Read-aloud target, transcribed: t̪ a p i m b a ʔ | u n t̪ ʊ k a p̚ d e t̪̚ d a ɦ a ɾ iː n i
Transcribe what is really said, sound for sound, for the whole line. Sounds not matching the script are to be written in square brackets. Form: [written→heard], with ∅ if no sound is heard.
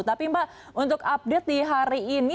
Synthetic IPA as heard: t̪ a p i m b a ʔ | u n t̪ ʊ k a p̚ d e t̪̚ d [a→i] ɦ a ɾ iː n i

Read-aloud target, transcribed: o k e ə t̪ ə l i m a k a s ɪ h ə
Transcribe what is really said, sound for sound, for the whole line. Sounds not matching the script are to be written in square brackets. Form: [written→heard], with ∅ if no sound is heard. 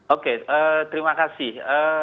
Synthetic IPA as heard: o k e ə t̪ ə [l→ɾ] i m a k a s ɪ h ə

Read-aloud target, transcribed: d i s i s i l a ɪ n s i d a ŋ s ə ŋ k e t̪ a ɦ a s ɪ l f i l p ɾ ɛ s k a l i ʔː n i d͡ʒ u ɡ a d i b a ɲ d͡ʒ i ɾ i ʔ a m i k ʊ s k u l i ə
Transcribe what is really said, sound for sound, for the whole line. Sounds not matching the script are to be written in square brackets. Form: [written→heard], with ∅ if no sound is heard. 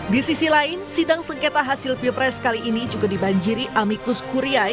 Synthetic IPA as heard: d i s i s i l a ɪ n s i d a ŋ s ə ŋ k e t̪ a ɦ a s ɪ l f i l p ɾ ɛ s k a l i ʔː n i d͡ʒ u ɡ a d i b a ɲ d͡ʒ i ɾ i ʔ a m i k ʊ s k u [l→ɾ] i [ə→a]

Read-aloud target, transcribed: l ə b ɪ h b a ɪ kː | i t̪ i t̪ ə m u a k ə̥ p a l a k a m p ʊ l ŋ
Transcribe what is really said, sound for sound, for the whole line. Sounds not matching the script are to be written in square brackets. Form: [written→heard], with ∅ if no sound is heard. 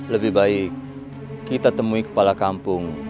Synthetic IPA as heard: l ə b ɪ h b a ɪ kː | i t̪ [i→a] t̪ ə m u [a→i] k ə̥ p a l a k a m p ʊ [l→∅] ŋ

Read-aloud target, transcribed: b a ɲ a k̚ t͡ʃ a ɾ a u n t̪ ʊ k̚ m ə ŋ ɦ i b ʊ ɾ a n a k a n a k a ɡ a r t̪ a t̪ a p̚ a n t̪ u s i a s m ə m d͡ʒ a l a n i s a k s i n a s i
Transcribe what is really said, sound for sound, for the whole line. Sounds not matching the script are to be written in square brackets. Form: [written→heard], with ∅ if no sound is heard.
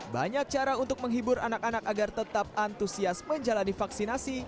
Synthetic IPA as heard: b a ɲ a k̚ t͡ʃ a ɾ a u n t̪ ʊ k̚ m ə ŋ ɦ i b ʊ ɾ a n a k a n a k a ɡ a r t̪ [a→ə] t̪ a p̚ a n t̪ u s i a s m ə [m→ɲ] d͡ʒ a l a n i [s→f] a k s i n a s i

